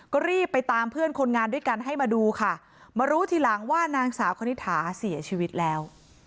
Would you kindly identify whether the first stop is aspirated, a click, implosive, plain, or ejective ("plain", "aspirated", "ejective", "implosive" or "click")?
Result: plain